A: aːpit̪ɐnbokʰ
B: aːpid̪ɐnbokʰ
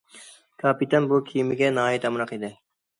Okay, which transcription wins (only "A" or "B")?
A